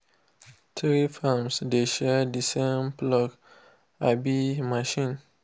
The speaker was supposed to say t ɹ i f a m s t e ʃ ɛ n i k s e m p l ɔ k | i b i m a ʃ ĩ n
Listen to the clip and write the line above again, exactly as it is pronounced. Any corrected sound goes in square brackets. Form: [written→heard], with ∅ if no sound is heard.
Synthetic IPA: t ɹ i f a m s [t→d] e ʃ ɛ [n→d] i [k→∅] s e m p l ɔ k | [i→a] b i m a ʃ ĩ n